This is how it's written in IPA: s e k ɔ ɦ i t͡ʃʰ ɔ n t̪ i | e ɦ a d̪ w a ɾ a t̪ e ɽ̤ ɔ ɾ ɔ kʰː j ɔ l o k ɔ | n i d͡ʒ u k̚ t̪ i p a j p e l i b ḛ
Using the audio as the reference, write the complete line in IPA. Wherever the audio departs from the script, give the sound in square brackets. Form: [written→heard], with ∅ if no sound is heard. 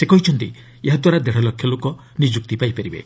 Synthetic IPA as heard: s e k ɔ ɦ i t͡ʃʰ ɔ n t̪ i | e ɦ a d̪ w a ɾ a [t̪→d̪] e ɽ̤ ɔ [ɾ→l] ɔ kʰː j ɔ l o k ɔ | n i d͡ʒ u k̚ t̪ i p a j p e [l→ɾ] i b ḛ